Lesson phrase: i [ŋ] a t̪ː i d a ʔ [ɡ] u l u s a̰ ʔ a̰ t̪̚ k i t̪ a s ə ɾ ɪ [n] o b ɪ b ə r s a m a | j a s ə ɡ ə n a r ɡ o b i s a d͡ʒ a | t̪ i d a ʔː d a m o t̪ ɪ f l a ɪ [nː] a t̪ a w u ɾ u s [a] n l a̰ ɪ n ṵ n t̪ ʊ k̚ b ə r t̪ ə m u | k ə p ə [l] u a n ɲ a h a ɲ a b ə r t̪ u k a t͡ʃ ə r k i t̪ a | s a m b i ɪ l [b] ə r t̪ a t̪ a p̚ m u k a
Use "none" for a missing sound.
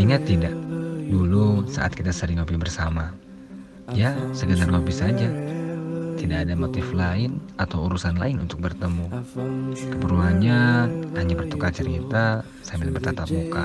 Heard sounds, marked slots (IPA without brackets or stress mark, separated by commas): ŋ, d, ŋ, n, a, ɾ, b